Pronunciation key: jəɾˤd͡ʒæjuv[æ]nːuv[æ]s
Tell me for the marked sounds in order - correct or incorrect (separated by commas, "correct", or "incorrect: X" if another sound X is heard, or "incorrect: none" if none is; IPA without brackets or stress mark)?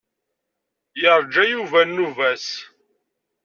correct, correct